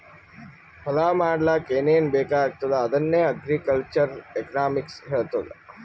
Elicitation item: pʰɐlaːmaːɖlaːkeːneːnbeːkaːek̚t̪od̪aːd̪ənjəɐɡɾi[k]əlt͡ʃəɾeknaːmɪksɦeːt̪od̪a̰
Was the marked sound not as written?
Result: no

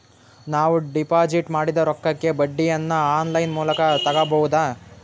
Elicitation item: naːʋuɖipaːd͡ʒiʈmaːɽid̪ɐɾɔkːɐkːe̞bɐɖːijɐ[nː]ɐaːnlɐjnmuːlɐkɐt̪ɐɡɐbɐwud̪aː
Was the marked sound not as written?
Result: no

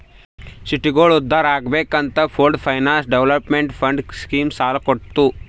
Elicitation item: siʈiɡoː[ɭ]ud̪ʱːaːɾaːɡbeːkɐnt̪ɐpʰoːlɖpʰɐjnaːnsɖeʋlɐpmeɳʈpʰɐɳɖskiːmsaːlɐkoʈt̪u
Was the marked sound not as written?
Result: no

